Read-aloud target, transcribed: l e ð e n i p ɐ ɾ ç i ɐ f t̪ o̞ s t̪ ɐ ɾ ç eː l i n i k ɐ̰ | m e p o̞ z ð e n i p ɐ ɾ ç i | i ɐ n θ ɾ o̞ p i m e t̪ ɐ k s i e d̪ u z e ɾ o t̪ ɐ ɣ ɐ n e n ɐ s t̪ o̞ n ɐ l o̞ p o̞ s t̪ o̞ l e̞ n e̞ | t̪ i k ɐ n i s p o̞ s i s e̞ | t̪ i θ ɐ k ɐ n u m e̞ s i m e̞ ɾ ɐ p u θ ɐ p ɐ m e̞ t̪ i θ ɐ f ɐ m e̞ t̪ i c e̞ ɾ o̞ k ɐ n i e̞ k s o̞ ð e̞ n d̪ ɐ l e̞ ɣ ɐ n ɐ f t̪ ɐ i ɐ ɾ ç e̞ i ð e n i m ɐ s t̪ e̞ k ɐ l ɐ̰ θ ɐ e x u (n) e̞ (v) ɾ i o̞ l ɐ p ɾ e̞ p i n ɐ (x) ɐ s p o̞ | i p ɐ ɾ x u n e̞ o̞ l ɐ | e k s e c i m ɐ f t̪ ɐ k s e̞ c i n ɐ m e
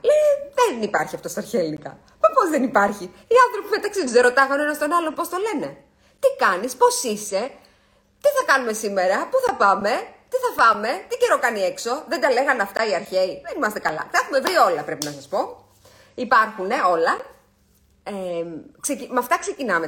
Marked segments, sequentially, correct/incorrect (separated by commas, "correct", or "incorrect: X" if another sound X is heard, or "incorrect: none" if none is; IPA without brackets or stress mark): incorrect: m, correct, incorrect: s